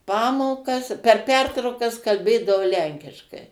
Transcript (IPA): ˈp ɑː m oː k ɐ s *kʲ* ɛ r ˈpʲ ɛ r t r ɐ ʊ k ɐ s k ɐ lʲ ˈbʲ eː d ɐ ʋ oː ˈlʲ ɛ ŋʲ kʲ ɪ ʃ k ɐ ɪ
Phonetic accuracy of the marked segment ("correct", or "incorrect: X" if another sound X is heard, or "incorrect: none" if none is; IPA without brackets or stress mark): incorrect: pʲ